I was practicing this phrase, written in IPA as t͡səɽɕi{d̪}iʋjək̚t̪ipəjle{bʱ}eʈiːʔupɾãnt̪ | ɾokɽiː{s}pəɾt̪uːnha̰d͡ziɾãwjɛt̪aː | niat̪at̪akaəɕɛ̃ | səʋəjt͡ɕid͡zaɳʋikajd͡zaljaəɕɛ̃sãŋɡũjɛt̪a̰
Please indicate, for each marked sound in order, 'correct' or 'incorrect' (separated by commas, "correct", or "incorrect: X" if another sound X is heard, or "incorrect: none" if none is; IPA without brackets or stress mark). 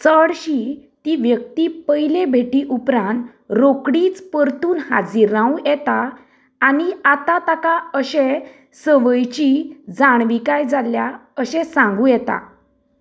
incorrect: t̪, correct, incorrect: t͡s